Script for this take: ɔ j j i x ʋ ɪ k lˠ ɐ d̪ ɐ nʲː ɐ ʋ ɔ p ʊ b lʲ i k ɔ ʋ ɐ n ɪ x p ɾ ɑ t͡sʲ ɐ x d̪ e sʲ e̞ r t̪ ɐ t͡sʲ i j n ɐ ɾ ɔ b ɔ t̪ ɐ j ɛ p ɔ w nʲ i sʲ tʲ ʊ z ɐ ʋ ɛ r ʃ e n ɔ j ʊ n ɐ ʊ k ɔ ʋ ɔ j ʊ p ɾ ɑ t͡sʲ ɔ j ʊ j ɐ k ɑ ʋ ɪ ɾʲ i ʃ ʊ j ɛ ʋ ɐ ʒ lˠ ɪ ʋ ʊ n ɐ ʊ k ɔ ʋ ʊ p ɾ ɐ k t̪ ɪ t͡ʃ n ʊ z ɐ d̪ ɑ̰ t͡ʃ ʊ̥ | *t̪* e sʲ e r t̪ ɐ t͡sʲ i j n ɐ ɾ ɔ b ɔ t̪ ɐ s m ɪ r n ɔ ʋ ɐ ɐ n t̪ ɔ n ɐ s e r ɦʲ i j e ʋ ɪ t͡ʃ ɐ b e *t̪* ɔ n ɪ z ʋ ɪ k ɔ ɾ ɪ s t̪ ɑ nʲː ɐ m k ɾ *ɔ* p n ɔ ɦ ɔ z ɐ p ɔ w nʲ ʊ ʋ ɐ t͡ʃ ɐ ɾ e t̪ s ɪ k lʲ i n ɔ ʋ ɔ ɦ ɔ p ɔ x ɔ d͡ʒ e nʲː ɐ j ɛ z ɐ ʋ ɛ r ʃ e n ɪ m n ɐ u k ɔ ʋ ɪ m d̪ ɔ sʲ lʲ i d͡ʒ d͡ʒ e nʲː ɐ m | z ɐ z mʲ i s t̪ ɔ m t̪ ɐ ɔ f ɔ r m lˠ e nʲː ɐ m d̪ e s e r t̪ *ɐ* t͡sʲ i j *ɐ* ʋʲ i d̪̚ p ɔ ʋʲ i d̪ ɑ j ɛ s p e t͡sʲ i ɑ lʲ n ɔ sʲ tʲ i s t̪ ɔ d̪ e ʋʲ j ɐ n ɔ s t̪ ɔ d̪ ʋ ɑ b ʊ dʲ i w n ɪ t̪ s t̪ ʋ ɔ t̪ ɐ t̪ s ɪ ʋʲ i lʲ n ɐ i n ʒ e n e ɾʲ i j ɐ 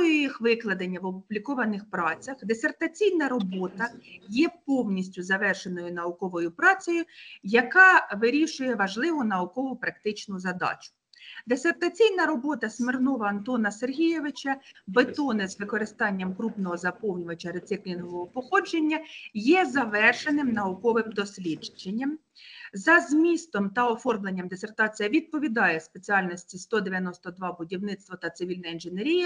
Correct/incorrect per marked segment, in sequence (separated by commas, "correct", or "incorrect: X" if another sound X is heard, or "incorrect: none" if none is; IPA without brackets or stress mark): incorrect: d̪, correct, incorrect: u, incorrect: ɑ, correct